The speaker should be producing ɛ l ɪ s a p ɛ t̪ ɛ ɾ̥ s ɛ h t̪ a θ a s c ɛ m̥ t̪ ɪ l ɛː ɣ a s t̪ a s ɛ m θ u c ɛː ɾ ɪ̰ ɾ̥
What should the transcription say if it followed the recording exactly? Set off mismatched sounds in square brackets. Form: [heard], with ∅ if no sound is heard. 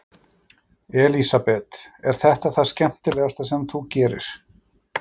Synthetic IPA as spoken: ɛ l [i] s a p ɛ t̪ ɛ ɾ̥ [θ] ɛ h t̪ a θ a s c ɛ m̥ t̪ ɪ l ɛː ɣ a s t̪ a s ɛ m θ u c ɛː ɾ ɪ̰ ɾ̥